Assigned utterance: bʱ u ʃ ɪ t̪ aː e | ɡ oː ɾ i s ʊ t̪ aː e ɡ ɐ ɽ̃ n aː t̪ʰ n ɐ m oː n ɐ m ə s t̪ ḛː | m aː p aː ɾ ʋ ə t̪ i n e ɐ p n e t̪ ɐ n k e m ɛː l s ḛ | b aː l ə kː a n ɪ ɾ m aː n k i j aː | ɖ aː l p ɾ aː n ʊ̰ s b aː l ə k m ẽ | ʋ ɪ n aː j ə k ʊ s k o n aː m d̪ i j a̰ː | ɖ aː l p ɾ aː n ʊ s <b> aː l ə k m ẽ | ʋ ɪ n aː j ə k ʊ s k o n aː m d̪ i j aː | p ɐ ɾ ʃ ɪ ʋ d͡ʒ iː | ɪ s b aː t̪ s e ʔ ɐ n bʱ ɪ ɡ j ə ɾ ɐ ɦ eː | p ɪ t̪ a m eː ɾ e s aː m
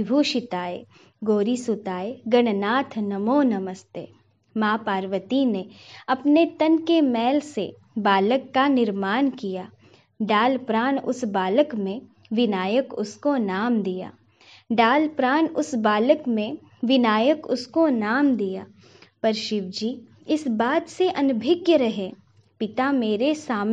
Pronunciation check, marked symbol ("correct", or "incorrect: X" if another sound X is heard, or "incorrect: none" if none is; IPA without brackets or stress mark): correct